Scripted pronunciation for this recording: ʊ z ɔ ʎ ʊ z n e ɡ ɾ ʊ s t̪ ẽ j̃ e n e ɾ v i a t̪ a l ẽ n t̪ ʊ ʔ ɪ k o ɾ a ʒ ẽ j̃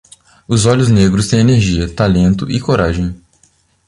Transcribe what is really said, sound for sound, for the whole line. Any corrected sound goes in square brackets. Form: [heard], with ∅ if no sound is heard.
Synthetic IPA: ʊ z ɔ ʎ ʊ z n e ɡ ɾ ʊ s t̪ ẽ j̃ e n e ɾ [ʒ] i [ɐ] t̪ a l ẽ n t̪ ʊ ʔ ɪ k o ɾ a ʒ ẽ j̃